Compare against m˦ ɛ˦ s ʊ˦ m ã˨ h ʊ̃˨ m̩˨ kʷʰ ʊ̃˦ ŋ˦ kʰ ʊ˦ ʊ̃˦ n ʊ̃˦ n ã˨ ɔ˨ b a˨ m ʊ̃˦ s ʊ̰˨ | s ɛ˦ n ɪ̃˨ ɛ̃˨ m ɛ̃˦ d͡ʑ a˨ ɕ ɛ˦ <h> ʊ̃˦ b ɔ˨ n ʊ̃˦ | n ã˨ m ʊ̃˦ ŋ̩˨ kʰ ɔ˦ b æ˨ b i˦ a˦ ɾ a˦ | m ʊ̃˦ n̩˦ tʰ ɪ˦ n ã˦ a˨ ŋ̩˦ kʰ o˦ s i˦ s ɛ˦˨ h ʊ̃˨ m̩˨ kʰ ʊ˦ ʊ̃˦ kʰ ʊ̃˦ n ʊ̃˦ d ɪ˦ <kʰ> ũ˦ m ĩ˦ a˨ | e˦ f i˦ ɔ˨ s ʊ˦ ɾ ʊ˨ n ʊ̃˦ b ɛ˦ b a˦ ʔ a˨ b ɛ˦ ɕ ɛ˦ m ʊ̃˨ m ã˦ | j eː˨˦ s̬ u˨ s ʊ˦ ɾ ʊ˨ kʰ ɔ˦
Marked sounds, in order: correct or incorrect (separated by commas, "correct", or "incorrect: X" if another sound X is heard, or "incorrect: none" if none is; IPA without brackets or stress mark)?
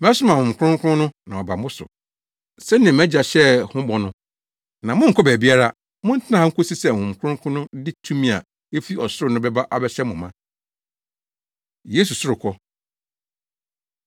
correct, incorrect: tʰ